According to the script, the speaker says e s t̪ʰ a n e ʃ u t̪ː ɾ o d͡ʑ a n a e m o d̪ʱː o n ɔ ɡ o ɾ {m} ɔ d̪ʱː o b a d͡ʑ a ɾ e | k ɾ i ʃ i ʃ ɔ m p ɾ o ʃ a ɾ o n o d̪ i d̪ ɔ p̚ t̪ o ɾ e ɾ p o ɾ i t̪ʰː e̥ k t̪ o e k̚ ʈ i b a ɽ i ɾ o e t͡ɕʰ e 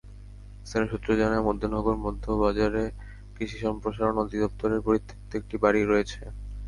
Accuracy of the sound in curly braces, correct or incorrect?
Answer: correct